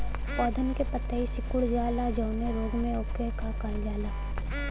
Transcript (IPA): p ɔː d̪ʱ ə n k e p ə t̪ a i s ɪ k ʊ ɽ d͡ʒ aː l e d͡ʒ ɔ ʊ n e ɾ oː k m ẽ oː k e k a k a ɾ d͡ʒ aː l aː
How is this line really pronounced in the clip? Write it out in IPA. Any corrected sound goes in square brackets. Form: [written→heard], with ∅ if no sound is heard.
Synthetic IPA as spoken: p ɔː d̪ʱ ə n k e p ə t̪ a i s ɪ k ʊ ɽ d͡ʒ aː l [e→a] d͡ʒ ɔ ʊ n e ɾ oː [k→ɡ] m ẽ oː k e k a k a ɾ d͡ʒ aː l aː